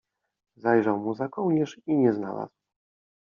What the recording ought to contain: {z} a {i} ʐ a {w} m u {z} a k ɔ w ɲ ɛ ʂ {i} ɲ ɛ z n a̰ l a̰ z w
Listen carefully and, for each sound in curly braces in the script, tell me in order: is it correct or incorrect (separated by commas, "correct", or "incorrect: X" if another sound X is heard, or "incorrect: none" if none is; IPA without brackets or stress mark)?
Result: correct, incorrect: j, correct, correct, correct